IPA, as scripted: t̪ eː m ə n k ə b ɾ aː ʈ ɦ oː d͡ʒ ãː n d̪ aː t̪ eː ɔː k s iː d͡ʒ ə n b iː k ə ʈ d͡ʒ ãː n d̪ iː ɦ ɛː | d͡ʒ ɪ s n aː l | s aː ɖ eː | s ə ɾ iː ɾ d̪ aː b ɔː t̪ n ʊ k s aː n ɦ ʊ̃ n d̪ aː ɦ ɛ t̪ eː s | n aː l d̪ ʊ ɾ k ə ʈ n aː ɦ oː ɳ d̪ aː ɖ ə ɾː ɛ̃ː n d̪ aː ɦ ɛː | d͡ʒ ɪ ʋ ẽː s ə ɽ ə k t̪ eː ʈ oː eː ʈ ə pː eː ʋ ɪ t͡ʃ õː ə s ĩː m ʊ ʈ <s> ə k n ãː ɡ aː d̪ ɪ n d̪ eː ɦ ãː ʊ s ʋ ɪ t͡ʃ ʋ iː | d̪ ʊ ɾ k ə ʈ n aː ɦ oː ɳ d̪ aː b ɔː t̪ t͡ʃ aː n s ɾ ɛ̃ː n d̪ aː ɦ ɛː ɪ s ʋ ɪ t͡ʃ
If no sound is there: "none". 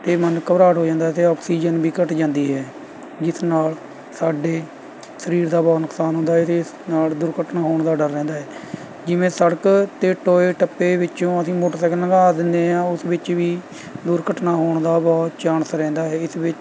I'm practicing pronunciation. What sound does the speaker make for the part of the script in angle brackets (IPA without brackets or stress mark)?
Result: s